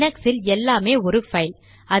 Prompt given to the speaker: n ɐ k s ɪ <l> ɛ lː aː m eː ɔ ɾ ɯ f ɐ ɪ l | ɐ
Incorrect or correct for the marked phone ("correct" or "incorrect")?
correct